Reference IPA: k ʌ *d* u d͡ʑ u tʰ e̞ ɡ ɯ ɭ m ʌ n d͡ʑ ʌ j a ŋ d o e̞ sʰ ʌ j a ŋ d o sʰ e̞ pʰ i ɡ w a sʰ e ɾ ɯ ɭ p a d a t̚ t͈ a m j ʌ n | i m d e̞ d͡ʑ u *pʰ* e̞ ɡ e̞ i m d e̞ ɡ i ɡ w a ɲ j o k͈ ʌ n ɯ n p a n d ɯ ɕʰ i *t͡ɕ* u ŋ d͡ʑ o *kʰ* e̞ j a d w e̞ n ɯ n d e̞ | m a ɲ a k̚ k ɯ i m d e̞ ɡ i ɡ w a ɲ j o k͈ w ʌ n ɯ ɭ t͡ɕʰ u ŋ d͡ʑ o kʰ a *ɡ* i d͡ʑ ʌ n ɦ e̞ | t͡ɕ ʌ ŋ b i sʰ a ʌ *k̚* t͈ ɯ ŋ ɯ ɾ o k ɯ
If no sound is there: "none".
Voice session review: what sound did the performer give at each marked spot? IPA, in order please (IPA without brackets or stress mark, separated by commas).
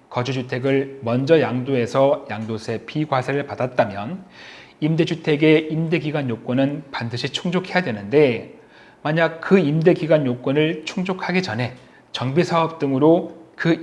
d͡ʑ, tʰ, t͡ɕʰ, kʰ, ɡ, p̚